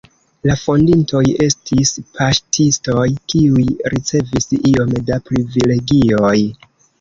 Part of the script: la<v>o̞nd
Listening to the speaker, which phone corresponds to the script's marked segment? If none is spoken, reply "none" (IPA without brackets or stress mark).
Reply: f